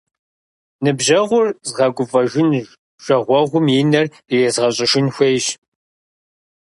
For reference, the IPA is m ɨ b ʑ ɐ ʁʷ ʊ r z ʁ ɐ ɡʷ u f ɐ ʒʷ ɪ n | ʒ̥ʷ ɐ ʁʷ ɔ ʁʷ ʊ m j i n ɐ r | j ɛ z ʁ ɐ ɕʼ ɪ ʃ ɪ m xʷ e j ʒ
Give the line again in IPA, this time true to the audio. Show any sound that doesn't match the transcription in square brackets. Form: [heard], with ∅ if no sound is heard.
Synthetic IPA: [n] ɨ b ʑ ɐ ʁʷ ʊ r z ʁ ɐ ɡʷ [ʊ] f ɐ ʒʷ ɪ n | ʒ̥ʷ ɐ ʁʷ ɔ ʁʷ ʊ m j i n ɐ r | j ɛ z ʁ ɐ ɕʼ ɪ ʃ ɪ [n] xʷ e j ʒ